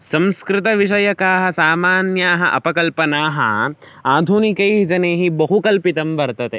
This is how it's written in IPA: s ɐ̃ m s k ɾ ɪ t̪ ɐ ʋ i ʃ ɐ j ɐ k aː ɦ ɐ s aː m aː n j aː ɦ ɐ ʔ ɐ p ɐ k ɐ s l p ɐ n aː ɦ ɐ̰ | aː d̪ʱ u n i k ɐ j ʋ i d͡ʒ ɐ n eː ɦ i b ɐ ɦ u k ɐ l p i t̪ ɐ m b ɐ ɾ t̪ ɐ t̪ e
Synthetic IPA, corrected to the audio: s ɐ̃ m s k ɾ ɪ t̪ ɐ ʋ i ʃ ɐ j ɐ k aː ɦ ɐ s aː m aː n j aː ɦ ɐ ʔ ɐ p ɐ k ɐ l p ɐ n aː ɦ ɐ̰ | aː d̪ʱ u n i k ɐ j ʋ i d͡ʒ ɐ n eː ɦ i b ɐ ɦ u k ɐ l p i t̪ ɐ m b ɐ ɾ t̪ ɐ t̪ e